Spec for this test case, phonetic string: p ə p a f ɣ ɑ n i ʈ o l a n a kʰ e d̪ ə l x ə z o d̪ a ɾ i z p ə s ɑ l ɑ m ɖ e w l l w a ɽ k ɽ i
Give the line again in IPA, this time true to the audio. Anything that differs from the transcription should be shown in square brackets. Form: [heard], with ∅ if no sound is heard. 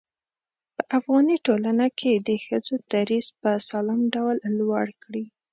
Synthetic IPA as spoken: p ə [ʔ] a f ɣ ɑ n i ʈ o l a n a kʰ e d̪ ə [∅] x ə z o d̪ a ɾ i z p ə s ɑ l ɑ m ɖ [a] w l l w a ɽ k ɽ i